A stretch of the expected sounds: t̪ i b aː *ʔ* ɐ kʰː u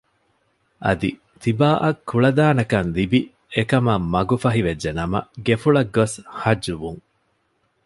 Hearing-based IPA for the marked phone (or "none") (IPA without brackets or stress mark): ʔ